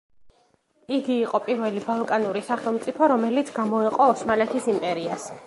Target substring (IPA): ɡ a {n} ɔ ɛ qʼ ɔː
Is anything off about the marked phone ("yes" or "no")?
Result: yes